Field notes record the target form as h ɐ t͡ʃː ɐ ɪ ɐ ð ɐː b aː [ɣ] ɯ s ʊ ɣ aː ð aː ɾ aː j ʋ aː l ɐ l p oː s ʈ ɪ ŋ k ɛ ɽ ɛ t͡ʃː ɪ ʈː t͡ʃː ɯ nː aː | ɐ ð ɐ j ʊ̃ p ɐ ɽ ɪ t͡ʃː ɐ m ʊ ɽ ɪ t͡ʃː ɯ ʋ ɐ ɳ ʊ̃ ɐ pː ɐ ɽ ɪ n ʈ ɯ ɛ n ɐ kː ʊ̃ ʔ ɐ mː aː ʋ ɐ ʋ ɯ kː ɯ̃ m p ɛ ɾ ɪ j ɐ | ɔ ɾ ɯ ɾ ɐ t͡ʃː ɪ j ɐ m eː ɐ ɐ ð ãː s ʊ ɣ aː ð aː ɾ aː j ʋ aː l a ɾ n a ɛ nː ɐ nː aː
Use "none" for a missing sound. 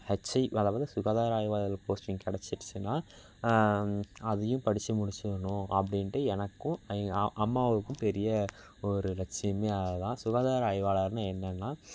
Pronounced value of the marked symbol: ð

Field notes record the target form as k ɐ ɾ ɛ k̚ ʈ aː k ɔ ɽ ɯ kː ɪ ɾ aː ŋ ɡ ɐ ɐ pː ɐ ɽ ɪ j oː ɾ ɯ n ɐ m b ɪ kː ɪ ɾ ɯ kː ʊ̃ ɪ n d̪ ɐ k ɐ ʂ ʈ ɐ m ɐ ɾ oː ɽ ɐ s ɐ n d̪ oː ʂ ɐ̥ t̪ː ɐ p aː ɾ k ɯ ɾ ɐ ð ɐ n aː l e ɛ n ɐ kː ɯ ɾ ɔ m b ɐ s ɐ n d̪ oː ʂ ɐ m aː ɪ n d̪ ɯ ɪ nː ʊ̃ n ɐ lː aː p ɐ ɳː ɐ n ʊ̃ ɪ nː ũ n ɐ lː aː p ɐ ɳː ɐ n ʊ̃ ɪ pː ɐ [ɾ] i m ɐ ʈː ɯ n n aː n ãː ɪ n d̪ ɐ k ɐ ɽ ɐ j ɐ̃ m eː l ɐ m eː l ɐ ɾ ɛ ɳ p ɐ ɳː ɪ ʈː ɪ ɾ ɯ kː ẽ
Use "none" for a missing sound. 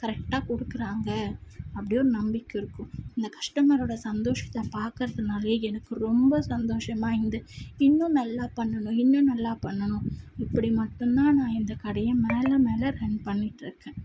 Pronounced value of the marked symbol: ɽ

